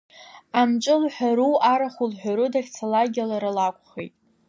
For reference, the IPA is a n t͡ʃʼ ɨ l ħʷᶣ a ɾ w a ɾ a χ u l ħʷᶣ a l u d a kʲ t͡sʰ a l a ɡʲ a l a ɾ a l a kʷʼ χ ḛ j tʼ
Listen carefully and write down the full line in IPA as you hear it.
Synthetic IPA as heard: a m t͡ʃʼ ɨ l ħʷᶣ a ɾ u a ɾ a χ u l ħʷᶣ a ɾ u d a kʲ t͡sʰ a l a ɡʲ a l a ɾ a l a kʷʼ χ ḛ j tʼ